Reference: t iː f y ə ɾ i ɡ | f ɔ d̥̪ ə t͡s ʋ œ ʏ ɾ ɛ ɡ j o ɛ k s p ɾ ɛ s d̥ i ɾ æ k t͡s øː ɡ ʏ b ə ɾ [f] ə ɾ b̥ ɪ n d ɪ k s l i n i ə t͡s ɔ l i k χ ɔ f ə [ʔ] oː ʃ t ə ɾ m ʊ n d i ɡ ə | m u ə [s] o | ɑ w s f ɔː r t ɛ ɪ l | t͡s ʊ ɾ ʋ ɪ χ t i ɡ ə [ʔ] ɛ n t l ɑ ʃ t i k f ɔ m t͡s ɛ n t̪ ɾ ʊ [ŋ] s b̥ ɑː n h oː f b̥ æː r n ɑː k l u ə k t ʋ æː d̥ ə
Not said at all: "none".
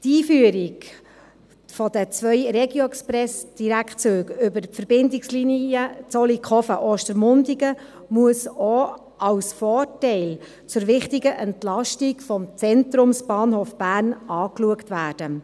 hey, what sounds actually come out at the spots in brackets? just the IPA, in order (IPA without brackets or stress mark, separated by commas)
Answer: f, ʔ, s, ʔ, m